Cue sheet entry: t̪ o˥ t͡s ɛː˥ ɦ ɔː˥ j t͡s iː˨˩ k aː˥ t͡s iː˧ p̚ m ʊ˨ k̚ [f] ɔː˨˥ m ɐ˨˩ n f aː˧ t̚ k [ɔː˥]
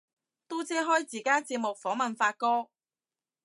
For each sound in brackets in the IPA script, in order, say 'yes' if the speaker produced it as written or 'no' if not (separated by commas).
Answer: yes, yes